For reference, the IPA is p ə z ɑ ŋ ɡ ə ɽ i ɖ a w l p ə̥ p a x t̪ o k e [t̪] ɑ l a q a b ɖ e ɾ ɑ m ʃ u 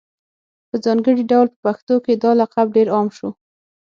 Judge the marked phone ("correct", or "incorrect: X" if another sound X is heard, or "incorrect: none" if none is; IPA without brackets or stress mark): incorrect: d̪